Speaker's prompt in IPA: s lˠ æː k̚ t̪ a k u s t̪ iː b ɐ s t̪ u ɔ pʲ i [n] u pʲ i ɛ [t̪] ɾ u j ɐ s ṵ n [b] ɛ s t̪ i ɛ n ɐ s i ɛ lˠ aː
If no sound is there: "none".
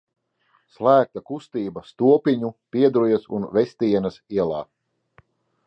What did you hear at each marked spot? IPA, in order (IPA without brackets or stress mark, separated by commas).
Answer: ɲ, d̪, v